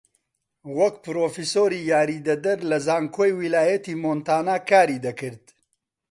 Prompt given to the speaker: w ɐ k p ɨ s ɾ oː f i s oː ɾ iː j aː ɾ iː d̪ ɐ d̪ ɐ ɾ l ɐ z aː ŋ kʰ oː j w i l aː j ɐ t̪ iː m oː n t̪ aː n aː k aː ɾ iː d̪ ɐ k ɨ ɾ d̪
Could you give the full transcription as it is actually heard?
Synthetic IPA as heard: w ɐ k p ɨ ɾ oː f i s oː ɾ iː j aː ɾ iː d̪ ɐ d̪ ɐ ɾ l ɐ z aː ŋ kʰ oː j w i l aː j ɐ t̪ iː m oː n t̪ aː n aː k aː ɾ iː d̪ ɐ k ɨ ɾ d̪